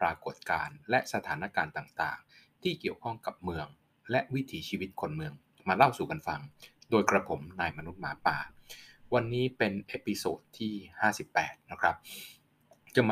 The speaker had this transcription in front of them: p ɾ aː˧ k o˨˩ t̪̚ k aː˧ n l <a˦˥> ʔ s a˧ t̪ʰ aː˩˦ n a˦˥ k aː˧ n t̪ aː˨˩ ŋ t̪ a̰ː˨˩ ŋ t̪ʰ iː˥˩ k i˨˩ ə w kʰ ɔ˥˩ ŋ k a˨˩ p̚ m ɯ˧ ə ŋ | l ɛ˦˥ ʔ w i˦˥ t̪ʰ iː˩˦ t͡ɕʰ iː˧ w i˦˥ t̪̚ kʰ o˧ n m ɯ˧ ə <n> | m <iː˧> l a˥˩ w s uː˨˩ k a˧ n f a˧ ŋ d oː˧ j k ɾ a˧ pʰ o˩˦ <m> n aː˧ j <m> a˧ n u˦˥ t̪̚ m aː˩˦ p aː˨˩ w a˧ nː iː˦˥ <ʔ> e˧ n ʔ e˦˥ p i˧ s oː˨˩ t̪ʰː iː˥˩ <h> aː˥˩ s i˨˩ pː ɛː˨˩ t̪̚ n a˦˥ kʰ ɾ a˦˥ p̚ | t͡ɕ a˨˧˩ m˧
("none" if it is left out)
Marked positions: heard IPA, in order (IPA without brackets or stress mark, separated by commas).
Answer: ɛ˦˥, ŋ, aː˧, m, m, p, h